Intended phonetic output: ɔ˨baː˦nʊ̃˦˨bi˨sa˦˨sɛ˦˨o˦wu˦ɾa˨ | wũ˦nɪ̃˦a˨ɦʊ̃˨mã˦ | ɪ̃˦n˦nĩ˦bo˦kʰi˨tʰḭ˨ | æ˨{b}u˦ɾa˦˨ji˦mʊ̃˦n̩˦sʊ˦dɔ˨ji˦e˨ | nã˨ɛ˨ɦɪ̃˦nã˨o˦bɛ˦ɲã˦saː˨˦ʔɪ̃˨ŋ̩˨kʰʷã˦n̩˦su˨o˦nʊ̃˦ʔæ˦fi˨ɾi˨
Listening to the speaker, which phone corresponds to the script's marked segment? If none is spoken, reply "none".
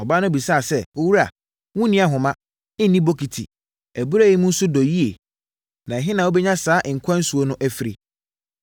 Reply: b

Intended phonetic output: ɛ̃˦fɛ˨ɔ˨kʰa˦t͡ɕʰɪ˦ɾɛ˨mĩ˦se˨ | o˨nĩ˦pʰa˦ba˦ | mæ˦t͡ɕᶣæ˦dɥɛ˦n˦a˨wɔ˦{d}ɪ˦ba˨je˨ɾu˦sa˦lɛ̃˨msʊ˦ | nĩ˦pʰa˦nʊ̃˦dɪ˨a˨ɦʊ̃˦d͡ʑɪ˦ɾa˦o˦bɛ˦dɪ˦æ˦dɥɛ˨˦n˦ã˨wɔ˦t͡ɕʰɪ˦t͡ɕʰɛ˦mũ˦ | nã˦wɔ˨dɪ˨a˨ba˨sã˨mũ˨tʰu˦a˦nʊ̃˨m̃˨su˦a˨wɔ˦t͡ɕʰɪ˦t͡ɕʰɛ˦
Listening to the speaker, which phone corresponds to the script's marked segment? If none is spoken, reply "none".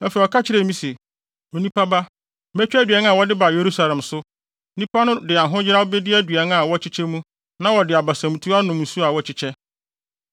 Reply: d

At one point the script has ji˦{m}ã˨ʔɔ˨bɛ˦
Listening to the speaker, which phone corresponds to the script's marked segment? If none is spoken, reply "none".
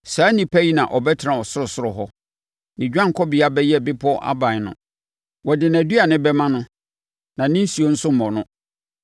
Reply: n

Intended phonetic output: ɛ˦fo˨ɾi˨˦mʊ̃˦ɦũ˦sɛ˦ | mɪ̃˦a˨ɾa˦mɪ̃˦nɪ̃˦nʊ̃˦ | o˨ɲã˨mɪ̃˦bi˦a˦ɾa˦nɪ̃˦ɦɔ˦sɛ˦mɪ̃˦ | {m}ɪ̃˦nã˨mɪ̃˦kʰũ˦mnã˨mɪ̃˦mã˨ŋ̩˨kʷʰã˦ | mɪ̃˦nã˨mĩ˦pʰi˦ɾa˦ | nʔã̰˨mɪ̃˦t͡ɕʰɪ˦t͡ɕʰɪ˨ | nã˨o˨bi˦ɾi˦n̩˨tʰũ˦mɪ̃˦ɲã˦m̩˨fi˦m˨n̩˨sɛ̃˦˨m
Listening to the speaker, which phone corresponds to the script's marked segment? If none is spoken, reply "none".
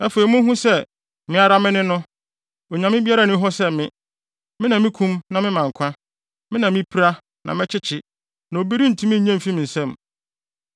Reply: m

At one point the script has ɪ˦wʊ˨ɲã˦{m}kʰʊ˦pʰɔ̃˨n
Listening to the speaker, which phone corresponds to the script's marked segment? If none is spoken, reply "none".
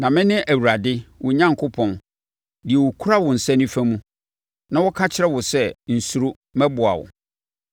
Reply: ŋ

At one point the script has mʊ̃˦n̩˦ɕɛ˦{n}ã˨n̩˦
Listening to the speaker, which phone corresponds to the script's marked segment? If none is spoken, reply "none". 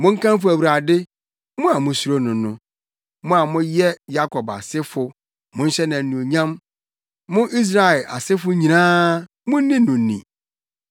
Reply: n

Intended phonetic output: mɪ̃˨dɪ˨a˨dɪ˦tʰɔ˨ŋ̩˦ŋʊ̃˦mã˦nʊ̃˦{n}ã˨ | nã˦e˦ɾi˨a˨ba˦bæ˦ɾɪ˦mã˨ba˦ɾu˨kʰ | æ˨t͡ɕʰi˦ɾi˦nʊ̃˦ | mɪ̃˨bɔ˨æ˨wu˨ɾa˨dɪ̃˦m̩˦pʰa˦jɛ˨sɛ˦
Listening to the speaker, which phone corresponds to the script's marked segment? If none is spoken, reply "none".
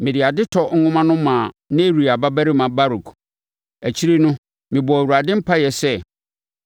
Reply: m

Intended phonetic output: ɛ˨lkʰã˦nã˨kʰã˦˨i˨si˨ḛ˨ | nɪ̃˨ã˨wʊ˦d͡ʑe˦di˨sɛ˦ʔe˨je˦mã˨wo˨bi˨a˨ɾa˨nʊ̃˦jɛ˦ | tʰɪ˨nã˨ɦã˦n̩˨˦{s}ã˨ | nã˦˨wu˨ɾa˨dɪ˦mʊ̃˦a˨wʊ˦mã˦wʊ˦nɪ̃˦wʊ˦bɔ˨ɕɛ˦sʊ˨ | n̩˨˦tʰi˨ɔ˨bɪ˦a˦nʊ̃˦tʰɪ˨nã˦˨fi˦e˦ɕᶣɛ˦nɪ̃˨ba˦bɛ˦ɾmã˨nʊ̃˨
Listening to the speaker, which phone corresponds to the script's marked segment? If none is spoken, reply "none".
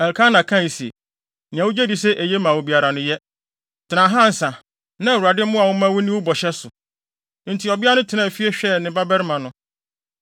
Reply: s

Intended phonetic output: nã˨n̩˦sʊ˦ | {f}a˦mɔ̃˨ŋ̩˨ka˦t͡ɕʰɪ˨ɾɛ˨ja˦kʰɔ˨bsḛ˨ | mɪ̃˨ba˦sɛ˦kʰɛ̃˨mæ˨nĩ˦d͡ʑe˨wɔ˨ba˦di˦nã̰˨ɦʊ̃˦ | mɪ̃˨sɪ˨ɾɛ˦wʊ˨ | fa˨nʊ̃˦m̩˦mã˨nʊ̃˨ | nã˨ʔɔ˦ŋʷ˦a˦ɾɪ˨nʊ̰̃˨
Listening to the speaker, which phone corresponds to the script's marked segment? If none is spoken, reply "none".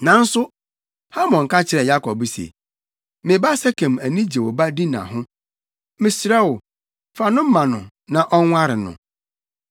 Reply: h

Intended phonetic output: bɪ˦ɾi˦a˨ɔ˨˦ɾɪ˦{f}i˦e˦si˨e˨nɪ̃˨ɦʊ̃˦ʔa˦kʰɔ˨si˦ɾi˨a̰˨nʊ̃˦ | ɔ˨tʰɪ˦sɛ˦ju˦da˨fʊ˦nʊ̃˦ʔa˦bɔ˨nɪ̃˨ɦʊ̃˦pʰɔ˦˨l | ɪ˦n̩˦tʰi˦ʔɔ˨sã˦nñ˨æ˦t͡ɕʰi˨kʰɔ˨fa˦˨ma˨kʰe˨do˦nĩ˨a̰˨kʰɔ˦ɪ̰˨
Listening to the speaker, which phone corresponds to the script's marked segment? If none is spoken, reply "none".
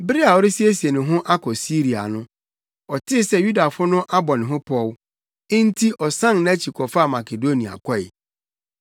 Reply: s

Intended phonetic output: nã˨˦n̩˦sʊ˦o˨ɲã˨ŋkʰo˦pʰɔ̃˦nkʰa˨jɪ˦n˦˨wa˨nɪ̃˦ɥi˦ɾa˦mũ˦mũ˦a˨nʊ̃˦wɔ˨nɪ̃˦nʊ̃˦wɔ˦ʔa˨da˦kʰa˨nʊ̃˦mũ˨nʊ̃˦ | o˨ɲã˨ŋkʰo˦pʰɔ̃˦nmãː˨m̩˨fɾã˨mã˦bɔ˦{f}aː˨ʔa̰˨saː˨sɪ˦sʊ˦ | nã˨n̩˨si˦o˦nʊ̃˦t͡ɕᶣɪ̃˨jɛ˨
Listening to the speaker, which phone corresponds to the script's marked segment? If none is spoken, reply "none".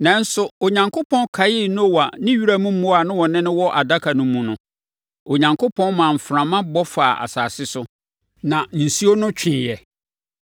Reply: f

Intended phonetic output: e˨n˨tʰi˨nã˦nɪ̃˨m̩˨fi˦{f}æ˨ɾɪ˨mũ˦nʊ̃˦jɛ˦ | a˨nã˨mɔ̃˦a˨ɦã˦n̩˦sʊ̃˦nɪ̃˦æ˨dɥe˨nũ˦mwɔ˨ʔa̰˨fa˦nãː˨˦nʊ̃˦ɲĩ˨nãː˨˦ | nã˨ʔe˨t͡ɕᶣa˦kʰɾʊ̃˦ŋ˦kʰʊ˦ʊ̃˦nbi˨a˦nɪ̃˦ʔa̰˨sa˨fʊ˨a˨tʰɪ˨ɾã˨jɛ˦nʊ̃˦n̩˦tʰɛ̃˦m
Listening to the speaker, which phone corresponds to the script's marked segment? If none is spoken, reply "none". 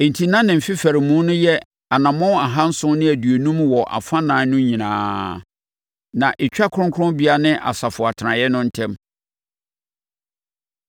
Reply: f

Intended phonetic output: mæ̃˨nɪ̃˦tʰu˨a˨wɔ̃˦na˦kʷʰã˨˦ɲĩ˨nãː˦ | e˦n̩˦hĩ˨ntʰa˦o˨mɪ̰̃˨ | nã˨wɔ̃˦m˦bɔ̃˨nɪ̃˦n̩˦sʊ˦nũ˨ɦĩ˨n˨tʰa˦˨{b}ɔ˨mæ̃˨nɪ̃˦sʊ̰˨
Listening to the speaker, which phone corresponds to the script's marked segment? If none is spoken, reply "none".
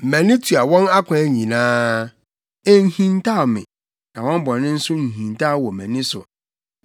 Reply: w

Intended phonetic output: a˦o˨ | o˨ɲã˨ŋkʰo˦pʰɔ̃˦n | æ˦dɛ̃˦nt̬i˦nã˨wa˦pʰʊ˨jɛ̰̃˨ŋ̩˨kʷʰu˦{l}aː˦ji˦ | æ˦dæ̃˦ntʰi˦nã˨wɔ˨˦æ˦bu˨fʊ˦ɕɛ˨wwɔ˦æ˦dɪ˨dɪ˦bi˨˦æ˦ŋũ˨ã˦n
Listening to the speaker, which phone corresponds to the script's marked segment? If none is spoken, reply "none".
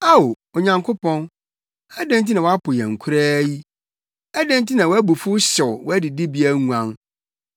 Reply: ɾ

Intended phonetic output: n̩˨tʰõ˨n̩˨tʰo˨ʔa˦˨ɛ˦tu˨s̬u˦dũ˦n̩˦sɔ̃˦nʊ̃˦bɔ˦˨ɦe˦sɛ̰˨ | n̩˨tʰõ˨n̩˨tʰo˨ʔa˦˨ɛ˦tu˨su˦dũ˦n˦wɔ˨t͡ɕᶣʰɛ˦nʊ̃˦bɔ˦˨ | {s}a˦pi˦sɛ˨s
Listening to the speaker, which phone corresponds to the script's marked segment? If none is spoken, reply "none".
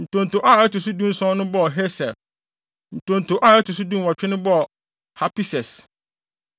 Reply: h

